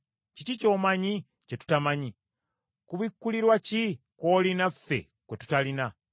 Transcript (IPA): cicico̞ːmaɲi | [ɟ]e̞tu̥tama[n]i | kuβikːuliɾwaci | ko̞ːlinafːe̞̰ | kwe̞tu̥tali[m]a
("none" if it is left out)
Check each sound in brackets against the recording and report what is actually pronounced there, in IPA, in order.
c, ɲ, n

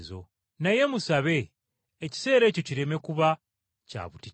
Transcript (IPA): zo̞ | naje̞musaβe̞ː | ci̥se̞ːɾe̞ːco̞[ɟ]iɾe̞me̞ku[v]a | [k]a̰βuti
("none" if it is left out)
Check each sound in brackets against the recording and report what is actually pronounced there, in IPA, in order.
c, β, c

